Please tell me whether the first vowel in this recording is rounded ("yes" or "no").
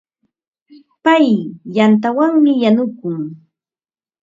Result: no